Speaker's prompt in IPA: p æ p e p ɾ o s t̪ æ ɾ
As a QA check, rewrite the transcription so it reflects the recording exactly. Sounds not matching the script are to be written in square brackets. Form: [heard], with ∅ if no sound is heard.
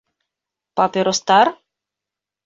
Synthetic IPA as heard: p [a] p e [∅] ɾ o s t̪ [a] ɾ